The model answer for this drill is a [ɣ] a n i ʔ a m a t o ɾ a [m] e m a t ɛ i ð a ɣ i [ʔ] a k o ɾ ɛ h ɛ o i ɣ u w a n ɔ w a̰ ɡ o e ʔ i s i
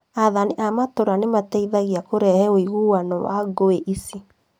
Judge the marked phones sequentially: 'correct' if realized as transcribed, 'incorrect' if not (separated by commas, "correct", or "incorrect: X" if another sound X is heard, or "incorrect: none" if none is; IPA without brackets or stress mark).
incorrect: ð, incorrect: n, incorrect: none